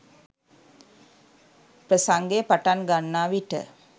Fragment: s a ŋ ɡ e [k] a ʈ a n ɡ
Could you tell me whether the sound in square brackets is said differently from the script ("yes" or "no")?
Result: yes